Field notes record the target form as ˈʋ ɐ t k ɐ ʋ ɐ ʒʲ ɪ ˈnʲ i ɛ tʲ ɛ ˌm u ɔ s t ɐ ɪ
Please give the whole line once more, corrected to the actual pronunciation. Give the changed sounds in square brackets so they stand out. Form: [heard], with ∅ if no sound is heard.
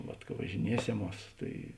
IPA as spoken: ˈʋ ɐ t k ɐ ʋ ɐ ʒʲ ɪ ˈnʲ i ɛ [sʲ] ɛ ˌm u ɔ s t ɐ ɪ